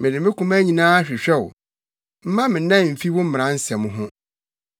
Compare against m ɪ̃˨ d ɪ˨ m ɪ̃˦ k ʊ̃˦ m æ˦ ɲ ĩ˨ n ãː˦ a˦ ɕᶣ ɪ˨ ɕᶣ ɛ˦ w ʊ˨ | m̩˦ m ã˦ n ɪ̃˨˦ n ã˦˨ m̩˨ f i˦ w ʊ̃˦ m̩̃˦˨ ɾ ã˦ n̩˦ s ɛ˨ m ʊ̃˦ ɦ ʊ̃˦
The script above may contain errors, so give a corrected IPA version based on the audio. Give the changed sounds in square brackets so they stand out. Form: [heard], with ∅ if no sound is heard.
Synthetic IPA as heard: m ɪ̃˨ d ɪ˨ m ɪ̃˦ k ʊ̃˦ m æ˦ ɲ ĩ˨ n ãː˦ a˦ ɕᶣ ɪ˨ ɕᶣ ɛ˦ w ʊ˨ | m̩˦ m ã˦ [m] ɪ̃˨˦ n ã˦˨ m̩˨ f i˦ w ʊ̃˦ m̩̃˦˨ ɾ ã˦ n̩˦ s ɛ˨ m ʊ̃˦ ɦ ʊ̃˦